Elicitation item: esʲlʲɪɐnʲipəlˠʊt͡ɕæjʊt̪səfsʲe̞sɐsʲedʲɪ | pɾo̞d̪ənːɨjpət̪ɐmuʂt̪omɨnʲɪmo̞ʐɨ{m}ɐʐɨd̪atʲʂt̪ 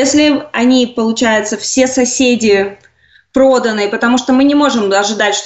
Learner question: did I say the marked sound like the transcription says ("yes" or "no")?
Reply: yes